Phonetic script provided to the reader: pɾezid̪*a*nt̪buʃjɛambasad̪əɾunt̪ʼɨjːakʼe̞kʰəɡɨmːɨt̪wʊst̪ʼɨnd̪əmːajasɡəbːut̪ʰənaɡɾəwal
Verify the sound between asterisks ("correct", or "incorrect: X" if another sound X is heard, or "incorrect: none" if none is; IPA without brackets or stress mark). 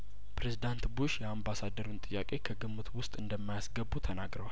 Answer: correct